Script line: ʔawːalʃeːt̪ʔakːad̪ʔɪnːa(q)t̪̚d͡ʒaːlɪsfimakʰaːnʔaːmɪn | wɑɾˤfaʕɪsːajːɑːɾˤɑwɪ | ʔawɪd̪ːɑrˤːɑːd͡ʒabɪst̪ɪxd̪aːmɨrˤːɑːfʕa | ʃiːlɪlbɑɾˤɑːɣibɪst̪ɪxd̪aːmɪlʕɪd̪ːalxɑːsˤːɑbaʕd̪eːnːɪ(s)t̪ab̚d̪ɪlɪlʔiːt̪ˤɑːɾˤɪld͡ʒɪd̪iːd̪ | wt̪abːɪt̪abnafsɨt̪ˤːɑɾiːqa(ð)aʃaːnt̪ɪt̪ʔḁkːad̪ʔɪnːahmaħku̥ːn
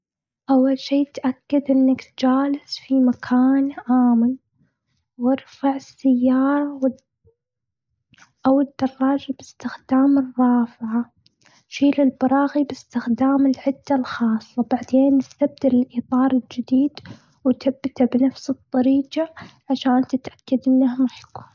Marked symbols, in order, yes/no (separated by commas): no, yes, no